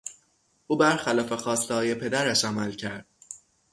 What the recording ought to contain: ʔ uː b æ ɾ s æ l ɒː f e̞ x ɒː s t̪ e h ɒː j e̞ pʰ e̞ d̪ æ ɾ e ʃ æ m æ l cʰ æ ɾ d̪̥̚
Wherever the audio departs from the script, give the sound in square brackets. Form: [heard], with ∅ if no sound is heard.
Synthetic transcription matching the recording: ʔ uː b æ ɾ [x] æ l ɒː f e̞ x ɒː s t̪ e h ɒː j e̞ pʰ e̞ d̪ æ ɾ [æ] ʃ æ m æ l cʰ æ ɾ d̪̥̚